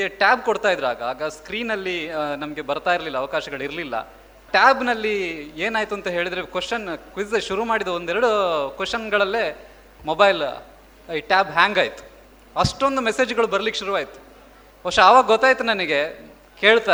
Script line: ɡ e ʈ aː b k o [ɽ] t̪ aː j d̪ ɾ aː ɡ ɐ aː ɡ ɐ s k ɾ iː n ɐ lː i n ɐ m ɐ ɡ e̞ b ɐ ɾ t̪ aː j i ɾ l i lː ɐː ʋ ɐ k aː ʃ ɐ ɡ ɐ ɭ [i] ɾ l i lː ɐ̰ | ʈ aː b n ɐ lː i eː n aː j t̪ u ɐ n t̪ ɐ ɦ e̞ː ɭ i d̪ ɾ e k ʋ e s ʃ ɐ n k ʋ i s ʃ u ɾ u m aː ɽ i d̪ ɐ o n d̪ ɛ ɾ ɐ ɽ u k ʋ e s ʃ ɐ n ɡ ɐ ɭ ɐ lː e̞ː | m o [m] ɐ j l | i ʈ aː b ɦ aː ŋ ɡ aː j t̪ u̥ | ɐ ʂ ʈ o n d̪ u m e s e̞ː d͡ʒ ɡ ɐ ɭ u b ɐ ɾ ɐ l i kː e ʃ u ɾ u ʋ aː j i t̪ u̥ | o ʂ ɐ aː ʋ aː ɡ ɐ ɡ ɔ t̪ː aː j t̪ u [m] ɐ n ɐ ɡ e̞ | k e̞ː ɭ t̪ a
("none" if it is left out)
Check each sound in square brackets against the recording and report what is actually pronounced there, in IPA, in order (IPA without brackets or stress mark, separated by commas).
ɽ, i, b, n